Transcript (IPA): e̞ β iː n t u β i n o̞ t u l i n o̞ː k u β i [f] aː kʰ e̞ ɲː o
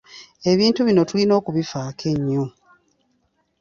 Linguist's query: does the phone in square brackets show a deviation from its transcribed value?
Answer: no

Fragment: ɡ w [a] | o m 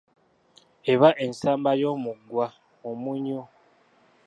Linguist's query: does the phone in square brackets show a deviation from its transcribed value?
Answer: no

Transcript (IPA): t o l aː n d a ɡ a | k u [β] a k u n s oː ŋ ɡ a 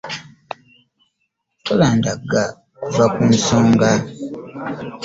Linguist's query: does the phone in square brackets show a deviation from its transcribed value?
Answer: yes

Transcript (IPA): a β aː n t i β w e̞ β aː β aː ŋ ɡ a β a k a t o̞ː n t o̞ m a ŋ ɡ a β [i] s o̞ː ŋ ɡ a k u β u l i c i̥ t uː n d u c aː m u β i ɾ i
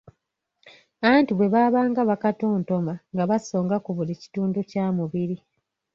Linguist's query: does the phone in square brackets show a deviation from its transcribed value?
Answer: yes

